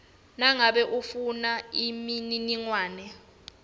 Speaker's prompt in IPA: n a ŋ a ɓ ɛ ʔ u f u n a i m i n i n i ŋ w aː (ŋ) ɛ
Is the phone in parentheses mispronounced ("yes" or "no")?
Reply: yes